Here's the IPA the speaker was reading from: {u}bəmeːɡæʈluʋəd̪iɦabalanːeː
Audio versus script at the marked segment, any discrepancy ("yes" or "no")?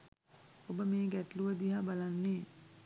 yes